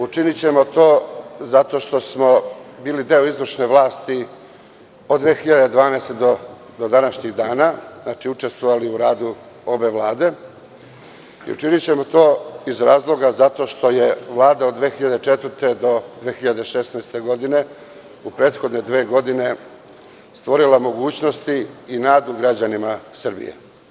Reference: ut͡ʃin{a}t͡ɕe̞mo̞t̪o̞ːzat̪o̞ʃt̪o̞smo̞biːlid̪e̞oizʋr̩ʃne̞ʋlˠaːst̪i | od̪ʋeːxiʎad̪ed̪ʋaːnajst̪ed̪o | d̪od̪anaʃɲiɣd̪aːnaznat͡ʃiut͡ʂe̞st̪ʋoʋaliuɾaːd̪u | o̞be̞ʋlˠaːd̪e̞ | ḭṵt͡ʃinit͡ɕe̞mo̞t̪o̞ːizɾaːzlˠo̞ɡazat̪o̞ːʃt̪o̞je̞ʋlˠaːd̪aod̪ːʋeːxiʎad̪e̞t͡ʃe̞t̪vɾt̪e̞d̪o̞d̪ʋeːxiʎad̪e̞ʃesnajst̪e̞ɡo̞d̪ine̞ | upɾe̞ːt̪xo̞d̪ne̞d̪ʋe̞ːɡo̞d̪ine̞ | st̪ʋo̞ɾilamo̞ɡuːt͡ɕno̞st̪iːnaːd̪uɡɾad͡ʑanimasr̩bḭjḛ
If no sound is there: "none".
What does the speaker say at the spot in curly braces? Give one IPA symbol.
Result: i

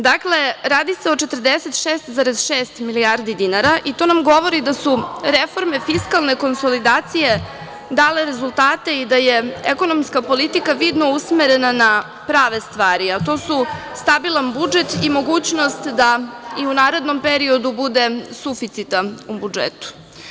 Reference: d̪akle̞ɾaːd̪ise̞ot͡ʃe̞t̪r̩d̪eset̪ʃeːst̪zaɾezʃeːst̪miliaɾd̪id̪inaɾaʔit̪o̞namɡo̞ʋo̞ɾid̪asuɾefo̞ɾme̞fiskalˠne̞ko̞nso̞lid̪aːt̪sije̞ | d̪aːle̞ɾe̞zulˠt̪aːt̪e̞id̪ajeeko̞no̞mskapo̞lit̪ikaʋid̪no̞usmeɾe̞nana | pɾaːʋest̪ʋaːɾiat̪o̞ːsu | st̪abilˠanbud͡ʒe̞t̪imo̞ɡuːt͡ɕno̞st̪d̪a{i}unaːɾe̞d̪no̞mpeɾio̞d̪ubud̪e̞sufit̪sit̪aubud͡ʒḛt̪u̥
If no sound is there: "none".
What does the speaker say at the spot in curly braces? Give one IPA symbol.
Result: i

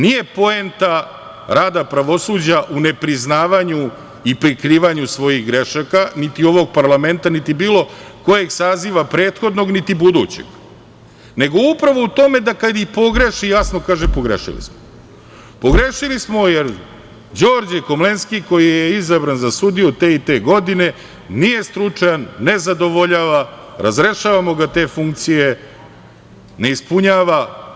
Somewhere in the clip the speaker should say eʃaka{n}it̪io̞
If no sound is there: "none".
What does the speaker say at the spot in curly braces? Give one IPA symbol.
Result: n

